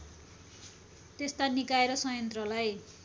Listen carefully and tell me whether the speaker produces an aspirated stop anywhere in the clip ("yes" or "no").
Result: no